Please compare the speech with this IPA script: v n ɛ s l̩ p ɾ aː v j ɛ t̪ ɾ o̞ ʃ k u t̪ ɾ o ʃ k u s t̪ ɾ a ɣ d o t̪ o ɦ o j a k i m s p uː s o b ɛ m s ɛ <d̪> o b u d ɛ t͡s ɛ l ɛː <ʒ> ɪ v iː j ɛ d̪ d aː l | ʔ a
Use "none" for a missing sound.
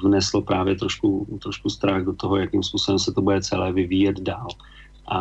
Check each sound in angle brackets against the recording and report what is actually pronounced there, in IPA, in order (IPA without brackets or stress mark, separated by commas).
t̪, v